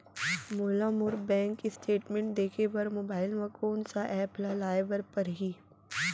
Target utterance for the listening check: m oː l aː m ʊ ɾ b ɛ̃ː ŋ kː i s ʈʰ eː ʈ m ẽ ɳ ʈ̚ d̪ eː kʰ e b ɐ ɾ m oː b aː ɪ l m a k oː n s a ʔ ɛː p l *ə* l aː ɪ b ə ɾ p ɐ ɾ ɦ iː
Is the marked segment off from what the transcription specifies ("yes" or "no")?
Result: yes